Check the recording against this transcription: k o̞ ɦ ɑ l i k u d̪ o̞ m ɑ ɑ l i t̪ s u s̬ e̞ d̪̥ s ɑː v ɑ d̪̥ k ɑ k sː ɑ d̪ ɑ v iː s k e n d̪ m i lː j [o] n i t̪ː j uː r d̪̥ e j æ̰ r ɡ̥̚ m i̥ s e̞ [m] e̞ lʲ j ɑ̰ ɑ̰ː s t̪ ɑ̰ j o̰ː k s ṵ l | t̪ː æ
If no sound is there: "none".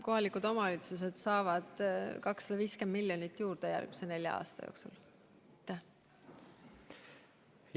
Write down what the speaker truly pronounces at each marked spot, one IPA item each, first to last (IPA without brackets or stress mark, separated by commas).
o, n